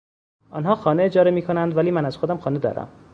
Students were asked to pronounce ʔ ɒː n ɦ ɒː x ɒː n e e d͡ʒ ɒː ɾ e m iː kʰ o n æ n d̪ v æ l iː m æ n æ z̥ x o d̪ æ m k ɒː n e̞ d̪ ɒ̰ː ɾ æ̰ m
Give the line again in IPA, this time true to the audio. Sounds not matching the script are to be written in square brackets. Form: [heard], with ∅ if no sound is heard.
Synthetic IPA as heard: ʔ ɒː n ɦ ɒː x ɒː n e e d͡ʒ ɒː ɾ e m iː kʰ o n æ n d̪ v æ l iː m æ n æ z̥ x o d̪ æ m [x] ɒː n e̞ d̪ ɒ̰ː ɾ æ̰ m

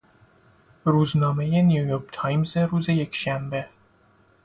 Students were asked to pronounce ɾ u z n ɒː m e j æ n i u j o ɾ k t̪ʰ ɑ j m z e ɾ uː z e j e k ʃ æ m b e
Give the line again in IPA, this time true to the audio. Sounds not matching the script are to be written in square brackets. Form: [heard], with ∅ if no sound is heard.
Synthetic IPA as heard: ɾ u z n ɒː m e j [e] n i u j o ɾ k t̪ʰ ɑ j m z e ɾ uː z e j e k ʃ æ m b e

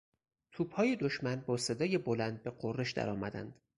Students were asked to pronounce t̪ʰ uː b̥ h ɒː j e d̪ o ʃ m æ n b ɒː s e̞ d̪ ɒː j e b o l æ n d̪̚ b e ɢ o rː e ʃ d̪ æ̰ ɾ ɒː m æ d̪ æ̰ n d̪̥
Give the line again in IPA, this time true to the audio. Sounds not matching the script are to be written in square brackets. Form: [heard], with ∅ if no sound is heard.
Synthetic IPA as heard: t̪ʰ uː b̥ h ɒː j e d̪ o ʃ m æ n b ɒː s e̞ d̪ ɒː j e b o l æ n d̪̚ b e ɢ o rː e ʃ d̪ æ̰ ɾ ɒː m æ d̪ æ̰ n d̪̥

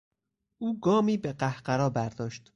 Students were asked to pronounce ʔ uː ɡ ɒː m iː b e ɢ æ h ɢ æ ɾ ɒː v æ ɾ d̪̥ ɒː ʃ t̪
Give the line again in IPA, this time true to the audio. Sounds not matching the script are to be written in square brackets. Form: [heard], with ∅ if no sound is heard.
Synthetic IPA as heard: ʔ uː ɡ ɒː m iː b e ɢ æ h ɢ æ ɾ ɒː [b] æ ɾ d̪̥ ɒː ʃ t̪

